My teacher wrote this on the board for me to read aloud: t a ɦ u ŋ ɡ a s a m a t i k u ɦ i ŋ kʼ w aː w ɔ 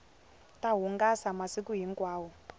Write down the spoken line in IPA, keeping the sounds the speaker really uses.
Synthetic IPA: t a ɦ u ŋ ɡ a s a m a s i k u ɦ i ŋ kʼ w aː w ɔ